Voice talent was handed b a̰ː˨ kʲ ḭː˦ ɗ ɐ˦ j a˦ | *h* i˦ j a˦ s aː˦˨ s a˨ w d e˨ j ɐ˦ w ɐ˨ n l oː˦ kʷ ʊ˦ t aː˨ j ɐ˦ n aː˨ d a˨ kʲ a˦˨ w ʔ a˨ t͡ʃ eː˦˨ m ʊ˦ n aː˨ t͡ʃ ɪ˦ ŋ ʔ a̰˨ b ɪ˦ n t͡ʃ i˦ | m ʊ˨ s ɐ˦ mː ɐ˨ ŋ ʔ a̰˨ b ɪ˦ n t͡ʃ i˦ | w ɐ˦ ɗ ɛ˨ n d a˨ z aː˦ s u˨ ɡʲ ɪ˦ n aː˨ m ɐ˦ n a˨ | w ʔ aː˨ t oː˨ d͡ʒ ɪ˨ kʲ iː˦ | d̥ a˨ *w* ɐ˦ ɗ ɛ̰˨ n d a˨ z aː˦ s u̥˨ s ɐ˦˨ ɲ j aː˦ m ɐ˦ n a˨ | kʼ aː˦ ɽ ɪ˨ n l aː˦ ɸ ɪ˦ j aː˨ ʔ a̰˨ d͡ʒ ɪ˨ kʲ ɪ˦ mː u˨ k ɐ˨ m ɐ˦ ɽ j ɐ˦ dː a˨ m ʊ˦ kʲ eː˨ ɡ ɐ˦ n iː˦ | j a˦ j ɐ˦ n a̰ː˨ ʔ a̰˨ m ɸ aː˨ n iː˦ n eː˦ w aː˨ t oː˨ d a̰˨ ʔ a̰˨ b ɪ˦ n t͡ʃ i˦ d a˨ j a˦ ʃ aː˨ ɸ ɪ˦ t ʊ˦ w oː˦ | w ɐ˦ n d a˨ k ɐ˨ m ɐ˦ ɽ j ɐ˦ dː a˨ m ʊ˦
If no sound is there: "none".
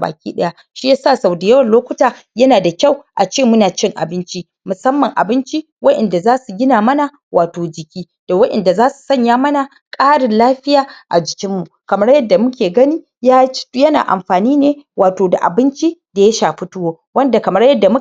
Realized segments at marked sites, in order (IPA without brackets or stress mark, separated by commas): ʃ, w